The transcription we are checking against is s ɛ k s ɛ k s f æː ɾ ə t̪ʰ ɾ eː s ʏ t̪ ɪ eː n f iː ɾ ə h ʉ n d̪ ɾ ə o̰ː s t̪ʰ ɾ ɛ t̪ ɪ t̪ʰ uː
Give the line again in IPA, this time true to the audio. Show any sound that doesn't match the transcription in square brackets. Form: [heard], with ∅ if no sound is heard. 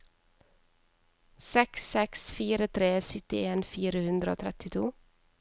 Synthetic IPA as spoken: s ɛ k s ɛ k s f [iː] ɾ ə t̪ʰ ɾ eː s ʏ t̪ ɪ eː n f iː ɾ ə h ʉ n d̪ ɾ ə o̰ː [∅] t̪ʰ ɾ ɛ t̪ ɪ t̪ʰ uː